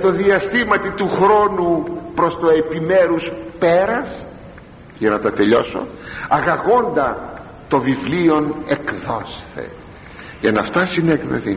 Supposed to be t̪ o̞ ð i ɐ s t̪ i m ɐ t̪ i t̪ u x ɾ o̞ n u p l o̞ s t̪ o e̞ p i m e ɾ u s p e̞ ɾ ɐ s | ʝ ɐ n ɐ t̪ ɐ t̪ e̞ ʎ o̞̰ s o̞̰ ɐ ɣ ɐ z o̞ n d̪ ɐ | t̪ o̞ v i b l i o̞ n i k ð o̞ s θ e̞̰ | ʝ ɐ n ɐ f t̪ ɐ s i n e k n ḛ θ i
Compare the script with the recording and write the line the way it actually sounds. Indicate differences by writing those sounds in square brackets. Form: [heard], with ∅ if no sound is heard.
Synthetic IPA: t̪ o̞ ð i ɐ s t̪ i m ɐ t̪ i t̪ u x ɾ o̞ n u p [ɾ] o̞ s t̪ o e̞ p i m e ɾ u s p e̞ ɾ ɐ s | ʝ ɐ n ɐ t̪ ɐ t̪ e̞ ʎ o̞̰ s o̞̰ ɐ ɣ ɐ [ɣ] o̞ n d̪ ɐ | t̪ o̞ v i [v] l i o̞ n [e] k ð o̞ s θ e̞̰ | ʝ ɐ n ɐ f t̪ ɐ s i n e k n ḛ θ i